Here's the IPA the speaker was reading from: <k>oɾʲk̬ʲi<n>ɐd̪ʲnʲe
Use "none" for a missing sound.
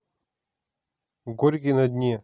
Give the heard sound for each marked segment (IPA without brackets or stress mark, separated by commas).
ɡ, n